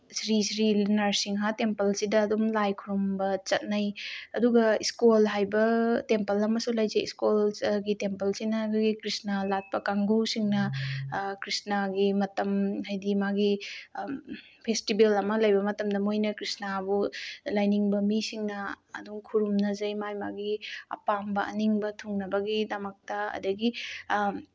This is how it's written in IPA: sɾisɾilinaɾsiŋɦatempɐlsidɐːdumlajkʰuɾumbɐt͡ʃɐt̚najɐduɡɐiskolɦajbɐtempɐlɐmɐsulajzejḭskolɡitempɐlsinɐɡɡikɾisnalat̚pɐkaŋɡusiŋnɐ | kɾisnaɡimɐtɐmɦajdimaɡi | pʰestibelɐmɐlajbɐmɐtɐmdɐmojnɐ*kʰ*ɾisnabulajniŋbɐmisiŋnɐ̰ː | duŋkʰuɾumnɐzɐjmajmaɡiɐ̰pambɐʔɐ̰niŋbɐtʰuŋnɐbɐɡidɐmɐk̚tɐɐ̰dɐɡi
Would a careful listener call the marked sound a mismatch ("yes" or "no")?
yes